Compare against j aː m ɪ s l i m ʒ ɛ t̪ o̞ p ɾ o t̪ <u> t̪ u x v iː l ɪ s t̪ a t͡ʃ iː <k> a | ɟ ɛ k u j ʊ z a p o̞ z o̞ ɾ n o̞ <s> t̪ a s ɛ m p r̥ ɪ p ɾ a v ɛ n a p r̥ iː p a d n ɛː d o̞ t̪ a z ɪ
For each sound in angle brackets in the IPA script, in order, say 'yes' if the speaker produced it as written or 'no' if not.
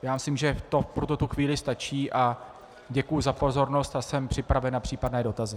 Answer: no, no, yes

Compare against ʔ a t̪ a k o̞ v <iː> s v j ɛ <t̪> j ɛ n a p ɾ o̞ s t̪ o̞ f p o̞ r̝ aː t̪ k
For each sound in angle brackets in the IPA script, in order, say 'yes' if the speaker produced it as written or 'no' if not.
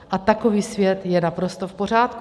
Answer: yes, yes

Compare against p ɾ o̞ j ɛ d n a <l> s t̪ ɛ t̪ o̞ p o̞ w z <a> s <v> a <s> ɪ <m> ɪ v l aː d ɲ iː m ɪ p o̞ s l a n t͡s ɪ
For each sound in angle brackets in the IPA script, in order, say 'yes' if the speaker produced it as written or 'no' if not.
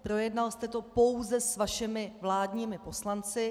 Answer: yes, no, yes, no, yes

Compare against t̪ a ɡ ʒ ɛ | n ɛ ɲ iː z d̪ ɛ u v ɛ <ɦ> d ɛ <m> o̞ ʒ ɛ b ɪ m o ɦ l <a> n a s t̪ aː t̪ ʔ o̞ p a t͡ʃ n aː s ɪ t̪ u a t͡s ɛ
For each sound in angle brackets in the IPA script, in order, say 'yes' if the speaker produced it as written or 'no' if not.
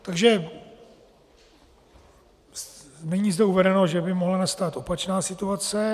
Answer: no, no, yes

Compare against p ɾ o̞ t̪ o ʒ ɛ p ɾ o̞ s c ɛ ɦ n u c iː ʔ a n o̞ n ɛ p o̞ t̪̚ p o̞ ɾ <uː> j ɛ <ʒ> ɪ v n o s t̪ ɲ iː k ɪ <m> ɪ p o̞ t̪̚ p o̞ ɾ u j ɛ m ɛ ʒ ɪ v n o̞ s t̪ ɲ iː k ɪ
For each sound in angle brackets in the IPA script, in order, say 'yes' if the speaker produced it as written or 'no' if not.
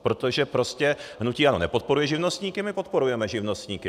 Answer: no, yes, yes

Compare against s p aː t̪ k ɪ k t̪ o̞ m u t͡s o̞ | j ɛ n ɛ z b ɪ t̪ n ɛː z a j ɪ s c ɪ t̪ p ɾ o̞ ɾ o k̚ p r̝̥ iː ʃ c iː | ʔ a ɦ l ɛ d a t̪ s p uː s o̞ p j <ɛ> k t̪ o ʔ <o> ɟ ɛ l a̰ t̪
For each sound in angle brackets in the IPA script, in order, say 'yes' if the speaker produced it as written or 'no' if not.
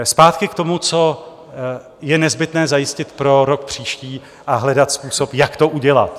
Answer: no, no

